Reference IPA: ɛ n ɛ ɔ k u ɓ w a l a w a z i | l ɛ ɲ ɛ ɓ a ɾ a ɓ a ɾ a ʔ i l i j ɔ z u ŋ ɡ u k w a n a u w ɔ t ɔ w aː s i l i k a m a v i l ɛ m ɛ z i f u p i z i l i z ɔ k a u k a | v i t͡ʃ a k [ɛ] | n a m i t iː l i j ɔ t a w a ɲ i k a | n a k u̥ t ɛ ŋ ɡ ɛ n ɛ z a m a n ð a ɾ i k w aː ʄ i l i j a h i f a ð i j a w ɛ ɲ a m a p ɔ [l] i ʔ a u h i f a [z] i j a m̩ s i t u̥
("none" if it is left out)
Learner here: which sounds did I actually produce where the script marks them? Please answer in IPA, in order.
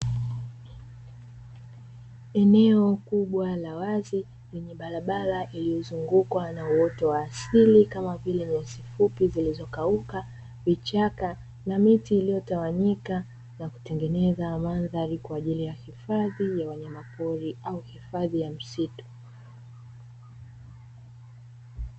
a, ɾ, ð

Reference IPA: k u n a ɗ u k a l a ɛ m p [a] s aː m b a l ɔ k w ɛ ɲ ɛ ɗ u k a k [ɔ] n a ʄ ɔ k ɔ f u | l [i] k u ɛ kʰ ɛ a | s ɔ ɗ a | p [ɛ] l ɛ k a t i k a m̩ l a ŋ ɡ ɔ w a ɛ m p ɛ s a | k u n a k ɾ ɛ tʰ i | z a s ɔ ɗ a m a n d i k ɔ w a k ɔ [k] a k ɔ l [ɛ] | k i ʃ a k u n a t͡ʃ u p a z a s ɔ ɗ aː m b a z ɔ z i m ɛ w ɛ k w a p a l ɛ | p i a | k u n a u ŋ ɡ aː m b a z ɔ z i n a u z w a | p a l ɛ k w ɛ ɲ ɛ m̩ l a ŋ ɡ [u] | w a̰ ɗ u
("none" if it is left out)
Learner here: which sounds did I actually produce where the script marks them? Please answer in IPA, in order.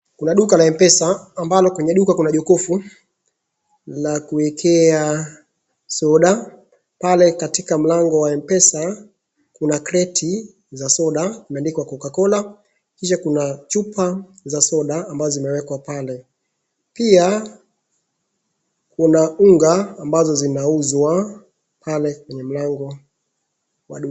ɛ, u, a, a, k, a, ɔ

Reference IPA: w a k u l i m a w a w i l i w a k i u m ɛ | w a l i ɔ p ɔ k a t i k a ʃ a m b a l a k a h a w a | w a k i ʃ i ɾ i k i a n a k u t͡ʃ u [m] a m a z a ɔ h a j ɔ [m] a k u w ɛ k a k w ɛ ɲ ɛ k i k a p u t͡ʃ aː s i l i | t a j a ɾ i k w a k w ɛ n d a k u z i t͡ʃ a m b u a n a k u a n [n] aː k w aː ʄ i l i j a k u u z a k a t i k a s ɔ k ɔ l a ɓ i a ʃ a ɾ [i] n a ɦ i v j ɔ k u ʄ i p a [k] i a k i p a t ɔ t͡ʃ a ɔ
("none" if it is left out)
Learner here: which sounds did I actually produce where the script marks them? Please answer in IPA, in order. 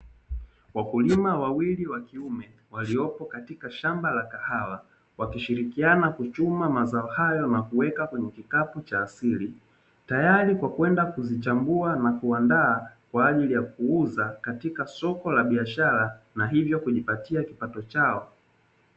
m, n, d, a, t

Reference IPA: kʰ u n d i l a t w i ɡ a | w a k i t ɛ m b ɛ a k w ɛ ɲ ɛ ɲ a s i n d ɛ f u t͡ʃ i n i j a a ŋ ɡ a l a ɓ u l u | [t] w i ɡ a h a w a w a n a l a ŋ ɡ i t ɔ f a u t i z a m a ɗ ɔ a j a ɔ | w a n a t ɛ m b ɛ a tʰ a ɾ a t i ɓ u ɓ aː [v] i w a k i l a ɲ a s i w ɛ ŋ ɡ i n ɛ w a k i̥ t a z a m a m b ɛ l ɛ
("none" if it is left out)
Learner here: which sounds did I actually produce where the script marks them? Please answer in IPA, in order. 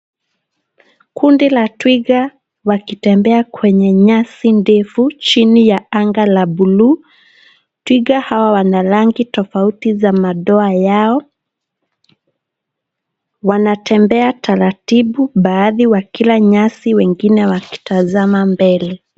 t, ð

